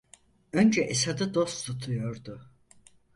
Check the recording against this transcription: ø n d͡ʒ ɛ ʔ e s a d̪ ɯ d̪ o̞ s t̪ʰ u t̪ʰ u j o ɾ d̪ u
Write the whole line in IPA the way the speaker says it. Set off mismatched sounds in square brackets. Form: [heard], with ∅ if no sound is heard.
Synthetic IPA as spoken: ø n d͡ʒ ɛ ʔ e s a d̪ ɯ d̪ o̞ s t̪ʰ u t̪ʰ u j o ɾ d̪ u

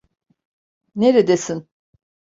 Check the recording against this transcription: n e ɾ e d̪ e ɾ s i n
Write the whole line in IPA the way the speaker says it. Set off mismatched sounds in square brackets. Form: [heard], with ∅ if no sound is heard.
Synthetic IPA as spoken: n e ɾ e d̪ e [∅] s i n

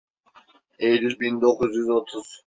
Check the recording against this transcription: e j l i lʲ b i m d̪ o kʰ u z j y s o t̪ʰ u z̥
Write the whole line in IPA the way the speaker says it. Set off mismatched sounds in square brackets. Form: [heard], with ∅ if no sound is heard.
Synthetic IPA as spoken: e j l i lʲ b i [n] d̪ o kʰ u z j y [z] o t̪ʰ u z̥

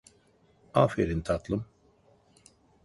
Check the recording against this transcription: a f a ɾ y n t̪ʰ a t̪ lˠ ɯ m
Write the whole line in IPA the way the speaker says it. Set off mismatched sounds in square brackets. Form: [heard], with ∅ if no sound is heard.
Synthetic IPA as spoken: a f [e] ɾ [i] n t̪ʰ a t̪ lˠ ɯ m

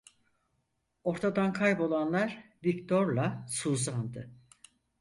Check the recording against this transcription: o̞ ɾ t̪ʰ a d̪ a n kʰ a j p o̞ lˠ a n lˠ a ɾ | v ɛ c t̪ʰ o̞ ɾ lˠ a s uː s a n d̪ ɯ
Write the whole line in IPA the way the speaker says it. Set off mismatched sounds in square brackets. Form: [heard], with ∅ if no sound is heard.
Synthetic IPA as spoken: o̞ ɾ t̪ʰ a d̪ a n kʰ a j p o̞ lˠ a n lˠ a ɾ | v [i] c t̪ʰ o̞ ɾ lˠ a s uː [z] a n d̪ ɯ

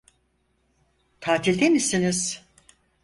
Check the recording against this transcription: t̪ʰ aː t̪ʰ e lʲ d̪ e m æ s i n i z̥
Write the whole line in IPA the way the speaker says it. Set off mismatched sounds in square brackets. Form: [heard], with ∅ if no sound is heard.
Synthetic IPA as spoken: t̪ʰ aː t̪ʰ [i] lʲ d̪ e m [i] s i n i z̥

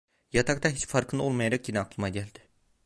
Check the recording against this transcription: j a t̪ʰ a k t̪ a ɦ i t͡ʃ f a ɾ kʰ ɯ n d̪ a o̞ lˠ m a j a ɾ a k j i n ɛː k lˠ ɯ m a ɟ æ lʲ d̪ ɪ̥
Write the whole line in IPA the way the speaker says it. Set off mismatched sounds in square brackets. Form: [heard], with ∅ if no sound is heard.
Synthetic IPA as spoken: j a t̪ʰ a k t̪ a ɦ i t͡ʃ f a ɾ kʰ ɯ n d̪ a o̞ lˠ m a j a ɾ a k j i n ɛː k lˠ ɯ m a ɟ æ lʲ d̪ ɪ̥

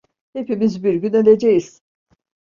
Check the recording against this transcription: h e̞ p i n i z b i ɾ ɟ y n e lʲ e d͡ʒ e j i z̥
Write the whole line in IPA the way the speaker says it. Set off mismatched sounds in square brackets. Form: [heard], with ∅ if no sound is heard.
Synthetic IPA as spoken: h e̞ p i [m] i z b i ɾ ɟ y n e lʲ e d͡ʒ e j i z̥

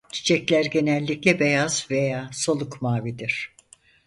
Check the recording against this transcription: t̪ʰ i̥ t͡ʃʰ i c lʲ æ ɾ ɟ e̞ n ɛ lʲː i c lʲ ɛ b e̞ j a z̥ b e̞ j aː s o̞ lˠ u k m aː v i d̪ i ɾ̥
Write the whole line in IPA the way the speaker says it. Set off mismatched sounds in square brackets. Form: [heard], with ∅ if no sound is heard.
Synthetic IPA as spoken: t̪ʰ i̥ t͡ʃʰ [ɛ] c lʲ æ ɾ ɟ e̞ n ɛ lʲː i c lʲ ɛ b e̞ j a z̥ [v] e̞ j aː s o̞ lˠ u k m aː v i d̪ i ɾ̥

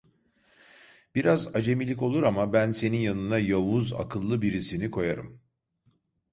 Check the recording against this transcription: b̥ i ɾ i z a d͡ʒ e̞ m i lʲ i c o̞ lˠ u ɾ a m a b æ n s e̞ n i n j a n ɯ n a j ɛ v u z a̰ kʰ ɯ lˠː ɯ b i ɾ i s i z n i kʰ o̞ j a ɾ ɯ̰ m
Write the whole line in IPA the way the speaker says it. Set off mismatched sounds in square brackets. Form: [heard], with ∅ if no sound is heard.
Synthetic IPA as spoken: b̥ i ɾ [a] z a d͡ʒ e̞ m i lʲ i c o̞ lˠ u ɾ a m a b æ n s e̞ n i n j a n ɯ n a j [a] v u z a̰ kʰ ɯ lˠː ɯ b i ɾ i s i [∅] n i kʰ o̞ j a ɾ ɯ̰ m

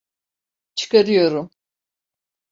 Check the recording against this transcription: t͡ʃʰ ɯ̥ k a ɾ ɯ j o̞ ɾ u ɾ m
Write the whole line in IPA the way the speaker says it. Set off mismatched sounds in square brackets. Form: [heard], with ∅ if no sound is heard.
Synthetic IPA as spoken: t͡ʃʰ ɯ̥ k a ɾ ɯ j o̞ ɾ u [∅] m

